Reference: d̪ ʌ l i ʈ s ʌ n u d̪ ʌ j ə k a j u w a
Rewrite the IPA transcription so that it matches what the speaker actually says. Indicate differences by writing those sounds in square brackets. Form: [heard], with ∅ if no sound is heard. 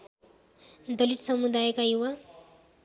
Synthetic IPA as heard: d̪ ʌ l i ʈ s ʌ [m] u d̪ [a] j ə k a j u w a